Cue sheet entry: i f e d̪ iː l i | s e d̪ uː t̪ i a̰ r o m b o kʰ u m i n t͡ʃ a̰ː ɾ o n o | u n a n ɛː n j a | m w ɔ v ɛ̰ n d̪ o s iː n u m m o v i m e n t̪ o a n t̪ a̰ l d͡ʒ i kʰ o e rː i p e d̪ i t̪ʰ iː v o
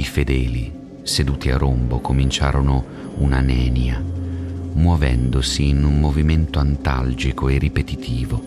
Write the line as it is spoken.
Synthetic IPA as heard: i f e d̪ ɛː l i | s e d̪ uː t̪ i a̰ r o m b o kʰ o m i n t͡ʃ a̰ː ɾ o n o | u n a n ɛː n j a | m w ɔ v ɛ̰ n d̪ o s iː n u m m o v i m e n t̪ o a n t̪ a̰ l d͡ʒ i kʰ o e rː i p e t̪ i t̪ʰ iː v o